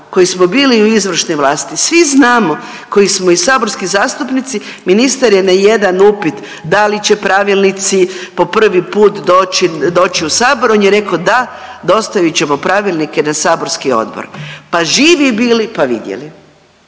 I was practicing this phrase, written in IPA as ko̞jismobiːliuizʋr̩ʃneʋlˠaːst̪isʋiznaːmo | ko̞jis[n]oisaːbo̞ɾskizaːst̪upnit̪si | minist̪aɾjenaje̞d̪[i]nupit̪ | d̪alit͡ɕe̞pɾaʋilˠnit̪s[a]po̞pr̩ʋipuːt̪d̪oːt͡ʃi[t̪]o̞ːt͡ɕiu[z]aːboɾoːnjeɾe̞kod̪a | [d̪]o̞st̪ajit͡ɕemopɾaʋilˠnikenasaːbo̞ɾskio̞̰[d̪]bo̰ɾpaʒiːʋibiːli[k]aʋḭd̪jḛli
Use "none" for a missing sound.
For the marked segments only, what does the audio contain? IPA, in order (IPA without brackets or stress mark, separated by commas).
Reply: m, a, i, d̪, s, d̪, d̪, p